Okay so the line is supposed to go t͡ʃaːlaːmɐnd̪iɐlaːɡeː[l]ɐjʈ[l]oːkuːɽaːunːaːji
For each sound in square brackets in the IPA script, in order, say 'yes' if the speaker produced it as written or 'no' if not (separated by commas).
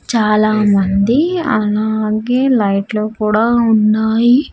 yes, yes